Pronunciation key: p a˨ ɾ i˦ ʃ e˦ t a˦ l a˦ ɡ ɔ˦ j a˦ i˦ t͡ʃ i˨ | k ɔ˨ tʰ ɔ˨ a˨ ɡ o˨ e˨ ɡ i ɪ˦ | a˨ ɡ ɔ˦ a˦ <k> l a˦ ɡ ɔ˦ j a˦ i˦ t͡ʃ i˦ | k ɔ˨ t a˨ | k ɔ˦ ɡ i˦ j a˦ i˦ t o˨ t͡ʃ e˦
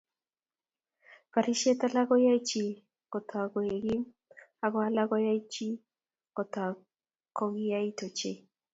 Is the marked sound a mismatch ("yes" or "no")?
yes